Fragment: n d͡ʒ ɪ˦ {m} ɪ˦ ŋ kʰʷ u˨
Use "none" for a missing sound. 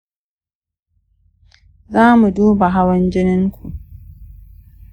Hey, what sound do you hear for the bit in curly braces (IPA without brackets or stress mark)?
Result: n